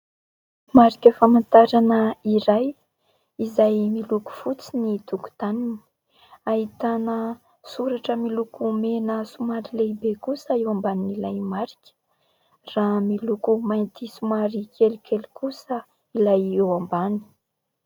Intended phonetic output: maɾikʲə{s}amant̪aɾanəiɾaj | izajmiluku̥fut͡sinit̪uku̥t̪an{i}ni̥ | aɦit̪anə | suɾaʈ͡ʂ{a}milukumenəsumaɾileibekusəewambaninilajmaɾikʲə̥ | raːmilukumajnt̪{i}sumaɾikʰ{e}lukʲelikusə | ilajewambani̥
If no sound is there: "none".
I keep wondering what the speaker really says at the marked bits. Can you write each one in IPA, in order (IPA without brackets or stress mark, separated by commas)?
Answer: f, i, ə, i, e